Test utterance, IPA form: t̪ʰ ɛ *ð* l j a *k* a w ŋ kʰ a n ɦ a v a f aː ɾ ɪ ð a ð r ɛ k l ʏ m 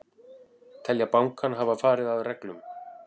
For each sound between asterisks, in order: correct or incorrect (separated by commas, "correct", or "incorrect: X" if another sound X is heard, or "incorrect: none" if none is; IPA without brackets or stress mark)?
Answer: incorrect: none, incorrect: p